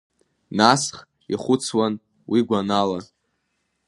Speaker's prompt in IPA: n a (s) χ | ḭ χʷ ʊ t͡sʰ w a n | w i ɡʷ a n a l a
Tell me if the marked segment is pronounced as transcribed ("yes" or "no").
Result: yes